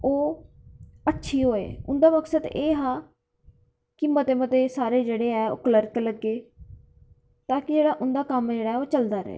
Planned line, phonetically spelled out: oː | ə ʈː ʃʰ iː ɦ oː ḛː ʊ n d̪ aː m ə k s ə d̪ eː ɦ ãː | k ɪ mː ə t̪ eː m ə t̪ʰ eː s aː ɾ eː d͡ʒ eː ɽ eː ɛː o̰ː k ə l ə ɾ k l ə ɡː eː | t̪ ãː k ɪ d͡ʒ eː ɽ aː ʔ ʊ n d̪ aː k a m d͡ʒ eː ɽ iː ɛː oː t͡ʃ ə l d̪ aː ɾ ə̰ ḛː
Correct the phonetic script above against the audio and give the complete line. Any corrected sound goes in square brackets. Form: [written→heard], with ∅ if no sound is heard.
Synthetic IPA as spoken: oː | ə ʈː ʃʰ iː ɦ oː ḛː ʊ n d̪ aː m ə k s ə d̪ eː ɦ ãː | k ɪ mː ə t̪ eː m ə [t̪ʰ→t̪] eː s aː ɾ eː d͡ʒ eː ɽ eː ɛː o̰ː k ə l ə ɾ k l ə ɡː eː | t̪ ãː k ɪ d͡ʒ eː ɽ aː ʔ ʊ n d̪ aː k [a→ə] m d͡ʒ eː ɽ [iː→aː] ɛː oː t͡ʃ ə l d̪ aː ɾ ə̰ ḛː